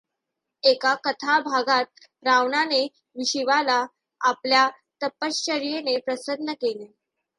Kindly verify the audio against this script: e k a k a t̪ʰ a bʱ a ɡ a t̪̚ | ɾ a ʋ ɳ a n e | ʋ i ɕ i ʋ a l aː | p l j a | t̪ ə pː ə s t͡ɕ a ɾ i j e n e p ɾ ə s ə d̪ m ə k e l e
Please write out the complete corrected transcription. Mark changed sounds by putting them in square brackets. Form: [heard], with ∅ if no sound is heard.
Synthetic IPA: e k a k [ə] t̪ʰ a bʱ a ɡ a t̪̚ | ɾ a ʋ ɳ a n e | ʋ i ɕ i ʋ a l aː | p l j a | t̪ ə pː ə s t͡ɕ [ə] ɾ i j e n e p ɾ ə s ə d̪ [n] ə k e l e

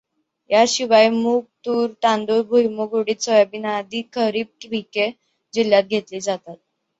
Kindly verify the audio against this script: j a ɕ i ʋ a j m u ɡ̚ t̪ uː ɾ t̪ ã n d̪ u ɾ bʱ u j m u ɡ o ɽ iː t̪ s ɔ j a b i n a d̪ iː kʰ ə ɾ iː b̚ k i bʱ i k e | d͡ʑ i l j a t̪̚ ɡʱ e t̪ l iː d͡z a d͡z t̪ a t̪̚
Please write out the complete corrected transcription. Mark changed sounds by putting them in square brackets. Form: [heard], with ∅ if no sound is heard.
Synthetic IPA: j a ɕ i ʋ a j m u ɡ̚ t̪ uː ɾ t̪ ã n d̪ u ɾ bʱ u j m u ɡ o ɽ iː t̪ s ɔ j a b i n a d̪ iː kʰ ə ɾ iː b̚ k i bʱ i k e | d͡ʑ i l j a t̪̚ ɡʱ e t̪ l iː d͡z a [∅] t̪ a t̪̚

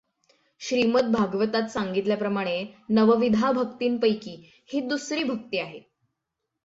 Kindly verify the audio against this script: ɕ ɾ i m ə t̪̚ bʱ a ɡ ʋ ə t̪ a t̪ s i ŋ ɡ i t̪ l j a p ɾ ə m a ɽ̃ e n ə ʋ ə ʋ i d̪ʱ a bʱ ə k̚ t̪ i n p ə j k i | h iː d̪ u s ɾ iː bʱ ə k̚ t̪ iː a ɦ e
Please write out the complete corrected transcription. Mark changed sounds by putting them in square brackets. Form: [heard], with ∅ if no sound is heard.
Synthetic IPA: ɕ ɾ i m ə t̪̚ bʱ a ɡ ʋ ə t̪ a t̪ s [a] ŋ ɡ i t̪ l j a p ɾ ə m a ɽ̃ e n ə ʋ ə ʋ i d̪ʱ a bʱ ə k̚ t̪ [iː] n p ə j k [iː] | h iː d̪ u s ɾ iː bʱ ə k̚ t̪ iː a ɦ e

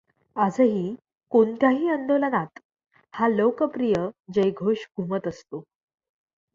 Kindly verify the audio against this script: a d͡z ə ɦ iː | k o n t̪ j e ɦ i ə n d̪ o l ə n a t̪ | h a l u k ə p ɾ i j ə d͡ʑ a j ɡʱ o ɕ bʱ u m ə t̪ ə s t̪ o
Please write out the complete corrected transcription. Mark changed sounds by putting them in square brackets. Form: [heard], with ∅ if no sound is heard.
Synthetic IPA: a d͡z ə ɦ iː | k o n t̪ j [a] ɦ [iː] ə n d̪ o l ə n a t̪ | h a l [o] k ə p ɾ i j ə d͡ʑ [ə] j ɡʱ o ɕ [ɡʱ] u m ə t̪ ə s t̪ o

